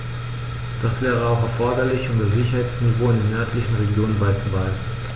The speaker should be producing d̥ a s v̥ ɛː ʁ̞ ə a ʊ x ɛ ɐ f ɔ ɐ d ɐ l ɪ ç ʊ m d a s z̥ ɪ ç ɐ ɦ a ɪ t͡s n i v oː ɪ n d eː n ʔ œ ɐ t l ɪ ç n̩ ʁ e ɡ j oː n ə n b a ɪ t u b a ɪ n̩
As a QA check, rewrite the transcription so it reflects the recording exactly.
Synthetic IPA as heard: d̥ a s v̥ ɛː ʁ̞ ə a ʊ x ɛ ɐ f ɔ ɐ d ɐ l ɪ ç ʊ m d a s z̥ ɪ ç ɐ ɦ a ɪ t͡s n i v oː ɪ n d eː n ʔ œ ɐ t l ɪ ç n̩ ʁ e ɡ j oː n ə n b a ɪ t͡s u b a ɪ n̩